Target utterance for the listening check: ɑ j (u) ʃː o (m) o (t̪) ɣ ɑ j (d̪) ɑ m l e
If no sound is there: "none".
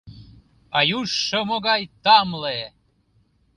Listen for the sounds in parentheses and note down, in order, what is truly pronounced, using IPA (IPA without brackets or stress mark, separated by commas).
u, m, none, t̪